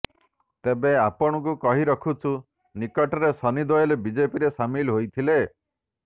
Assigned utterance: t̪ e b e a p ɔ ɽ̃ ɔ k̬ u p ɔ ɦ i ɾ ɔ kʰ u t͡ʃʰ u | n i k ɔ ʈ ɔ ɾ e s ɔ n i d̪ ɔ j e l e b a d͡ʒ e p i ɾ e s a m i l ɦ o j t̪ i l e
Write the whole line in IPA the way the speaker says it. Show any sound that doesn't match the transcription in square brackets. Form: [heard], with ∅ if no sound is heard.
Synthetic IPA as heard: t̪ e b e a p ɔ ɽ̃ ɔ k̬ u [k] ɔ ɦ i ɾ ɔ kʰ u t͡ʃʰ u | n i k ɔ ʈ ɔ ɾ e s ɔ n i d̪ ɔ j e l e b [i] d͡ʒ e p i ɾ e s a m i l ɦ o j [t̪ʰ] i l e